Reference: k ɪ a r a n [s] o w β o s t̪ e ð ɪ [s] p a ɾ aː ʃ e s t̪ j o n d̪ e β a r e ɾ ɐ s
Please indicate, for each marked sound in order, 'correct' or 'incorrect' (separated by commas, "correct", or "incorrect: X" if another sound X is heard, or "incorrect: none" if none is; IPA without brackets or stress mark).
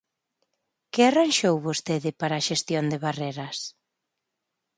incorrect: ʃ, incorrect: none